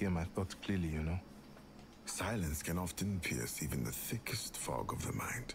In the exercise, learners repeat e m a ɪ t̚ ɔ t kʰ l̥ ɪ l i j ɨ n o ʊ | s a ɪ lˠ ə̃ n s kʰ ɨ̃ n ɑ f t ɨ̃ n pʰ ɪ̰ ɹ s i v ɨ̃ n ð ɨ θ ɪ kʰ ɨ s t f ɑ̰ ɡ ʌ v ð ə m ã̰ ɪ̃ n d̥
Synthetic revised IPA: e m a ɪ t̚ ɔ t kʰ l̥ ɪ l i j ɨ n o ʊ | s a ɪ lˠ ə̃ n s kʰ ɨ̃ n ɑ f t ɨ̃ n pʰ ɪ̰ ɹ s i v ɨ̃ n ð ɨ θ ɪ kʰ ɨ s t f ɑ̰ ɡ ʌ v ð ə m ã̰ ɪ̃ n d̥